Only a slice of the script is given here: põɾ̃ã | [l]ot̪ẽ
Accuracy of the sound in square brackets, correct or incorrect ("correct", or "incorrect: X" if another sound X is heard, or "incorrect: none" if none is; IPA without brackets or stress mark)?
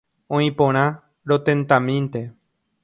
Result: incorrect: ɾ